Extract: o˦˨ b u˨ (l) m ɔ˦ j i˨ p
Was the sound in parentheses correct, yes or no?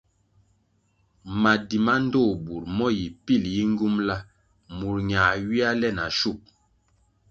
no